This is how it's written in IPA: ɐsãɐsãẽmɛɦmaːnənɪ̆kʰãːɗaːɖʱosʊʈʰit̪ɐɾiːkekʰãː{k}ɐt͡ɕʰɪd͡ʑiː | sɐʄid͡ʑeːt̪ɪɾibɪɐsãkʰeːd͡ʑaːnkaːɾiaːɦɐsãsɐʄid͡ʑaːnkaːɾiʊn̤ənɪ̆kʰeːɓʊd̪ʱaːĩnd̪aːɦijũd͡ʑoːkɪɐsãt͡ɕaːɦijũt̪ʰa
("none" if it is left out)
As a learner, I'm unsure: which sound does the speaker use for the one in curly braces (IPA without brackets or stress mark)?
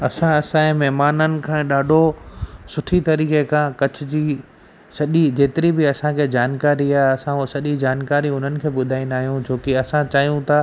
k